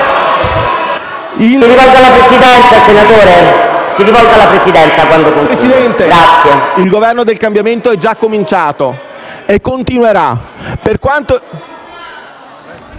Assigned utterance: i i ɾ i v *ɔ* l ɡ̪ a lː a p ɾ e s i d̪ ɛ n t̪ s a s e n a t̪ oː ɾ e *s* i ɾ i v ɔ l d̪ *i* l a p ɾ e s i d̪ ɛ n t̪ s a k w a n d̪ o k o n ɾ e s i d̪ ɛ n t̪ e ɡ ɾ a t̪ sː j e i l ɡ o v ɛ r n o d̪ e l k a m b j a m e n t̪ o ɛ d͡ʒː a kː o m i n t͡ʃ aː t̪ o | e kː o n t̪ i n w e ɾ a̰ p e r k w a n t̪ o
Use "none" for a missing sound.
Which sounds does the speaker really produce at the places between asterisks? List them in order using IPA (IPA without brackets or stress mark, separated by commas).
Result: ɔ, s, a